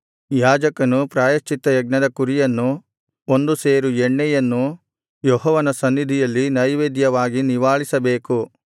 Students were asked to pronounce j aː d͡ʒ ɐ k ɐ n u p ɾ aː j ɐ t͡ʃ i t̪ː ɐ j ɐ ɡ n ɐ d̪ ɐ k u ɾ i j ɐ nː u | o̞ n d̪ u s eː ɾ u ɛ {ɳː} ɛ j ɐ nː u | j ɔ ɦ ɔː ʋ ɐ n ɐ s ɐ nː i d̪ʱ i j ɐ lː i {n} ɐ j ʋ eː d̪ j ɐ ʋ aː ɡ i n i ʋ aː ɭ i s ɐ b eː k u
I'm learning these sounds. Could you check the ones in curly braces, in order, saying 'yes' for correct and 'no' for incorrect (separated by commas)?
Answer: yes, yes